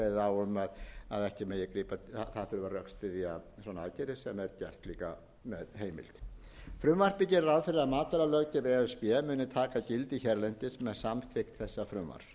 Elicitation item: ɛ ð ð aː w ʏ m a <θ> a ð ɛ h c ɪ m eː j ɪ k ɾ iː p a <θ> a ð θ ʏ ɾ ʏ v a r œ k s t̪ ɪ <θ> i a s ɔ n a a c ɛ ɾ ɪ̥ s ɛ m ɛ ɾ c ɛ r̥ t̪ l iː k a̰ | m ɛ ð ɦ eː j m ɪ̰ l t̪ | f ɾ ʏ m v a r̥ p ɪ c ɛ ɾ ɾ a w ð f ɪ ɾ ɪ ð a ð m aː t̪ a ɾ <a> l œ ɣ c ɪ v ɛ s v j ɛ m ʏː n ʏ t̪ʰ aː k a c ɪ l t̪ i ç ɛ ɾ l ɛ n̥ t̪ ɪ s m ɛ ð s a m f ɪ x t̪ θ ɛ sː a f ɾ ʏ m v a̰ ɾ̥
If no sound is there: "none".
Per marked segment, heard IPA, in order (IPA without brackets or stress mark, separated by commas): ð, θ, ð, a